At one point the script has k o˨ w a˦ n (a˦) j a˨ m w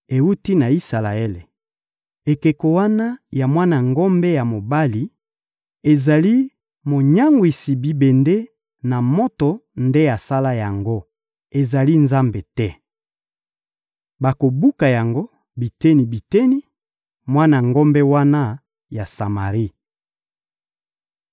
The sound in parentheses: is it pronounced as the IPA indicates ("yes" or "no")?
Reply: yes